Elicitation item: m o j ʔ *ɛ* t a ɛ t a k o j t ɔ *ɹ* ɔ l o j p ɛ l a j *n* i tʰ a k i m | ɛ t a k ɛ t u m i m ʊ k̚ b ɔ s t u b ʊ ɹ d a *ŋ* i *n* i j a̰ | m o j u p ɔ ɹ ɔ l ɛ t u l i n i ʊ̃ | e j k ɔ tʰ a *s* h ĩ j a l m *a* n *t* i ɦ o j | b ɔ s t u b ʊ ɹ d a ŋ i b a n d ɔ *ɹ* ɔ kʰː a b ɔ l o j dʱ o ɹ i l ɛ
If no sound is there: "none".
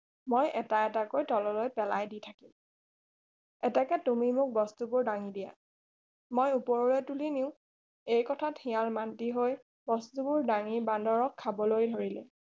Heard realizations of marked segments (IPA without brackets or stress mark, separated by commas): ɛ, l, d, ŋ, d, t, a, t, ɹ